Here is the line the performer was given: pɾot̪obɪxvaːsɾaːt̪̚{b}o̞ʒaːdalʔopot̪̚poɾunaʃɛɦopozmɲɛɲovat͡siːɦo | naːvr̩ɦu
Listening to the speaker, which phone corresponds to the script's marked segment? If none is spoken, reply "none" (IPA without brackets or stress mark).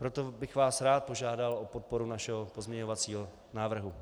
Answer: p